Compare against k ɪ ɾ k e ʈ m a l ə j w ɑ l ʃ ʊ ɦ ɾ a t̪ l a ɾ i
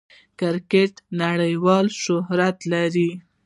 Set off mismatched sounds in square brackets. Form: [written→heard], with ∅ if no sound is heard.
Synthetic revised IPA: k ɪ ɾ k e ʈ [m→n] a [l→ɽ] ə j w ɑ l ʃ ʊ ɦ ɾ a t̪ l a ɾ i